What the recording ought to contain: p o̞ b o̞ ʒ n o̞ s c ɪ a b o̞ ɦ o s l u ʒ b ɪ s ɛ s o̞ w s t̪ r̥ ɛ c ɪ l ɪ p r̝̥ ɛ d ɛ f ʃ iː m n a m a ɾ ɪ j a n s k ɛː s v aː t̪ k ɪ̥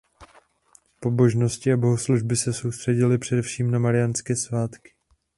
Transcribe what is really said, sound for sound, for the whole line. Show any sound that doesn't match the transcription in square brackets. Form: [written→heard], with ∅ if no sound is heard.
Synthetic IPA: p o̞ b o̞ ʒ n o̞ s c ɪ a b o̞ ɦ o s l u ʒ b ɪ s ɛ s o̞ w s t̪ r̥ ɛ [c→ɟ] ɪ l ɪ p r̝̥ ɛ d ɛ f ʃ iː m n a m a ɾ ɪ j a n s k ɛː s v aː t̪ k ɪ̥